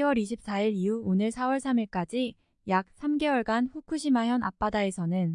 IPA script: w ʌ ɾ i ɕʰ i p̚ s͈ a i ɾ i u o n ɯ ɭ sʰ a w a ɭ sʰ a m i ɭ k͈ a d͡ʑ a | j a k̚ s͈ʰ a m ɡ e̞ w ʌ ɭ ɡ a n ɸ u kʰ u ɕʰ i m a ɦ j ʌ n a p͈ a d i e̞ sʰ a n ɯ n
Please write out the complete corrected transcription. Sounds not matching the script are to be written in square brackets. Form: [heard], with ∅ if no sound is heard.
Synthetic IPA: w ʌ ɾ i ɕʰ i p̚ s͈ a i ɾ i u o n ɯ ɭ sʰ a w [ʌ] ɭ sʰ a m i ɭ k͈ a d͡ʑ [i] | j a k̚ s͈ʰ a m ɡ e̞ w ʌ ɭ ɡ a n ɸ u kʰ u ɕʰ i m a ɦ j ʌ n a p͈ a d [a] e̞ sʰ [ʌ] n ɯ n